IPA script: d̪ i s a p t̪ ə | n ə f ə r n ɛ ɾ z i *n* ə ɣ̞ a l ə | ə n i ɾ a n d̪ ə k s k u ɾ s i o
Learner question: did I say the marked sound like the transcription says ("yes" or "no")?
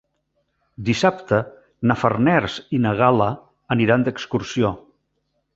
yes